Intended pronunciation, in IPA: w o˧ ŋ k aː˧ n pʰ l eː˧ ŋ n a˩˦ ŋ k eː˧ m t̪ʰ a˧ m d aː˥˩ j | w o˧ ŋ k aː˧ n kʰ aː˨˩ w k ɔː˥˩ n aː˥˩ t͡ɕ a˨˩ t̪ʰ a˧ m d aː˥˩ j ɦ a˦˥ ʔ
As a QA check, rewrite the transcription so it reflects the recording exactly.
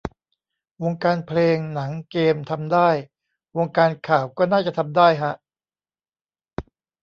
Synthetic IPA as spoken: w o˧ ŋ k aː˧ n pʰ l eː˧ ŋ n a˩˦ ŋ k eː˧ m t̪ʰ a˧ m d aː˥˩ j | w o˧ ŋ k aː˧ n kʰ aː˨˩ w k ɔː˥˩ n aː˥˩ t͡ɕ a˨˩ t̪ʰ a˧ m d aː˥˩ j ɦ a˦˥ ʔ

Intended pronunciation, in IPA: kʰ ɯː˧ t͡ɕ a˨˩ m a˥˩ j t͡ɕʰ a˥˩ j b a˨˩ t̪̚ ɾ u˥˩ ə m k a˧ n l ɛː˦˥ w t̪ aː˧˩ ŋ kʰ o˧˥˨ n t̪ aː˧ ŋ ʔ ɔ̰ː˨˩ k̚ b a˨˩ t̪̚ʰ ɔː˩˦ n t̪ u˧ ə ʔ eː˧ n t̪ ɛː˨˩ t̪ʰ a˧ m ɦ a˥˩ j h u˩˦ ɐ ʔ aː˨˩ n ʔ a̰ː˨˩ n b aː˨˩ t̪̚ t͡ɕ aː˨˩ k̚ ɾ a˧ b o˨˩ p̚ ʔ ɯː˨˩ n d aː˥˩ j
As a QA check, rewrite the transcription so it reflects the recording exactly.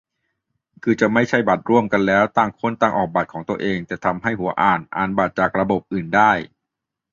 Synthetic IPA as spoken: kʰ ɯː˧ t͡ɕ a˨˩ m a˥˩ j t͡ɕʰ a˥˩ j b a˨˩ t̪̚ ɾ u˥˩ ə m k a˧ n l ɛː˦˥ w t̪ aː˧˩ ŋ kʰ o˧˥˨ n t̪ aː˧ ŋ ʔ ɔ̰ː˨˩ k̚ b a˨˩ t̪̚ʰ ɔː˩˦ ŋ t̪ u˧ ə ʔ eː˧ ŋ t̪ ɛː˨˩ t̪ʰ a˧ m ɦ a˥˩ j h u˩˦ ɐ ʔ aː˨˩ n ʔ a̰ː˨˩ n b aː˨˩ t̪̚ t͡ɕ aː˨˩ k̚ ɾ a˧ b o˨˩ p̚ ʔ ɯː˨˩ n d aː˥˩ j

